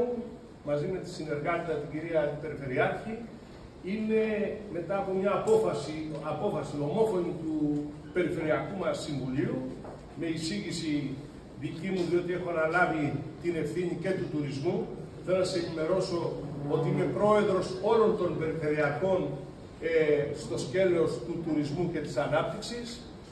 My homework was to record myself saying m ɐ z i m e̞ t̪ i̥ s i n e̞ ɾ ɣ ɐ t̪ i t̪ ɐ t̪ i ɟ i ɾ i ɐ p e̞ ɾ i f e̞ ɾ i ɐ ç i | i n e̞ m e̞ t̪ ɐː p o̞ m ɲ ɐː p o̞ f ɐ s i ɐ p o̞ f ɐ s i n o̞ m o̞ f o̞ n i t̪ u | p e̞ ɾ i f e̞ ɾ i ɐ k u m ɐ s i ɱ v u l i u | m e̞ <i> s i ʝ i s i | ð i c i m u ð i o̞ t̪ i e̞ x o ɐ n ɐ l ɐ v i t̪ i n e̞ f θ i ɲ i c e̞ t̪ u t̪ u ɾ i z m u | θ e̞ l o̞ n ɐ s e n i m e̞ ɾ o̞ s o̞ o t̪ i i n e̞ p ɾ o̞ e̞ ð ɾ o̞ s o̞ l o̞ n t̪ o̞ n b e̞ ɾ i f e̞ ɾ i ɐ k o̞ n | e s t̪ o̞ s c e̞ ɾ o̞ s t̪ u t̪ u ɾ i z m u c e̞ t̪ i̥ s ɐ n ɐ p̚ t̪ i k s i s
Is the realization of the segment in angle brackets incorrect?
no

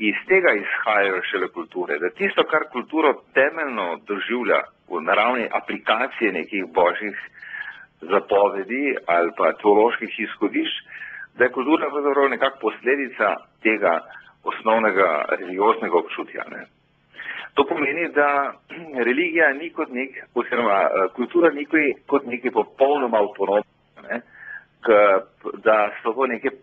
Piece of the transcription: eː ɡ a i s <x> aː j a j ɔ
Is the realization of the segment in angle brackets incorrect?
no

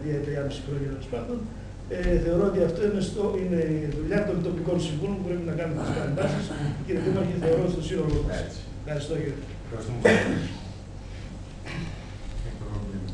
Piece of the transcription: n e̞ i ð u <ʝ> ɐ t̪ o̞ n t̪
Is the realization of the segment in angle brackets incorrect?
yes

